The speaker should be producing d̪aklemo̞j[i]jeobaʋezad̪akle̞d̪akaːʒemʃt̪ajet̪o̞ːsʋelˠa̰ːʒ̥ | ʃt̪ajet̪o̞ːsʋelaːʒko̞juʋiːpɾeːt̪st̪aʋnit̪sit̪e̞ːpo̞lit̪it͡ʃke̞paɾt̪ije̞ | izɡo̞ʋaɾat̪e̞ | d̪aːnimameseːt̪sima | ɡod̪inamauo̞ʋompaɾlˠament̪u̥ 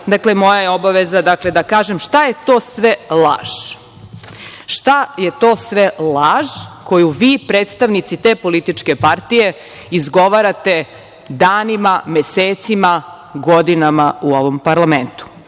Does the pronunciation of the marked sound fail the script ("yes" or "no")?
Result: yes